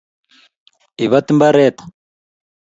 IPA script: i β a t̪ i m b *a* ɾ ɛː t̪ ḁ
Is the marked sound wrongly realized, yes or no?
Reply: no